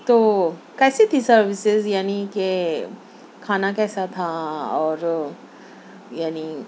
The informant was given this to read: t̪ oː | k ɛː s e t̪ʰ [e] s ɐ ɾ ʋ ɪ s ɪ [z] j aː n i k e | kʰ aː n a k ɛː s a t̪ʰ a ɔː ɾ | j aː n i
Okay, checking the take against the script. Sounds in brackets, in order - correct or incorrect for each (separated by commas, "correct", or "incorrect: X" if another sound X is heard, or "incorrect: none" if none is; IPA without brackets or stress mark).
incorrect: i, correct